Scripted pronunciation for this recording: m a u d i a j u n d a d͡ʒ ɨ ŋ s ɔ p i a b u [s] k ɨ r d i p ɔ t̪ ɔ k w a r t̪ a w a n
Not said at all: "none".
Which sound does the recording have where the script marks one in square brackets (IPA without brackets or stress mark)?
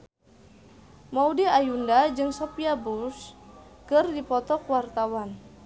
s